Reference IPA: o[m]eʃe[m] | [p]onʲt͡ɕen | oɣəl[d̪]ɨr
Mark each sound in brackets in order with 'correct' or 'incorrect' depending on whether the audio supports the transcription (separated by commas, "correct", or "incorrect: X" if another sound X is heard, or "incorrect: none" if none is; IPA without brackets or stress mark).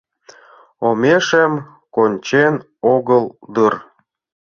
correct, correct, incorrect: k, correct